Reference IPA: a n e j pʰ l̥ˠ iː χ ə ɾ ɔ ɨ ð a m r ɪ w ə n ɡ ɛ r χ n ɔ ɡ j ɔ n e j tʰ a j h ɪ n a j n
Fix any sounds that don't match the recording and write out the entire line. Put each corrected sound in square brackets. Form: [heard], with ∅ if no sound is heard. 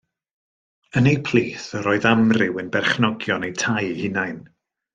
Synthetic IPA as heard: [ə] n e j pʰ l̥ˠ iː [θ] ə ɾ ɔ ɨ ð a m r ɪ w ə n [b] ɛ r χ n ɔ ɡ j ɔ n e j tʰ a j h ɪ n a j n